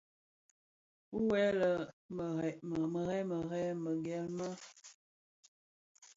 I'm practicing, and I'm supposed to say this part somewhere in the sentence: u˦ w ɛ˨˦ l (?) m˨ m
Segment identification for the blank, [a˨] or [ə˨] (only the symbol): ə˨